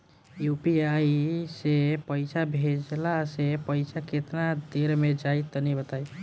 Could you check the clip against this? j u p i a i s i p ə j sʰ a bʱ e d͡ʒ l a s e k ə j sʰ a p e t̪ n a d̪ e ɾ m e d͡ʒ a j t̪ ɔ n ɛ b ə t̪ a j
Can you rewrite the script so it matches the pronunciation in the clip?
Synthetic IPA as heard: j u p i a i s e p ə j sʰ a bʱ e d͡ʒ l a s e p ə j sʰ a k e t̪ n a d̪ e ɾ m e d͡ʒ a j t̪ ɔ n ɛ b ə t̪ a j